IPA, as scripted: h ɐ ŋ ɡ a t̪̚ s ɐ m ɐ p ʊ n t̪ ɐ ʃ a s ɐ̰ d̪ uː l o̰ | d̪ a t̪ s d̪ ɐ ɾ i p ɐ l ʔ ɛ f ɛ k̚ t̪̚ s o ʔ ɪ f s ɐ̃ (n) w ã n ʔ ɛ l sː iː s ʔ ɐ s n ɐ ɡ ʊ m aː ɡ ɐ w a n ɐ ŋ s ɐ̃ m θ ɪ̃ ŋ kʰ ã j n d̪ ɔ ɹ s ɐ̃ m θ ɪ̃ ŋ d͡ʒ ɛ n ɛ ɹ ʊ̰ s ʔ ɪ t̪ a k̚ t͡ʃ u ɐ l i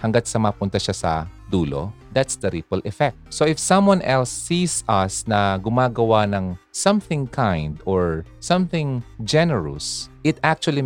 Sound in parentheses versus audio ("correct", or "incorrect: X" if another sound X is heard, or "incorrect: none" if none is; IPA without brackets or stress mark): incorrect: m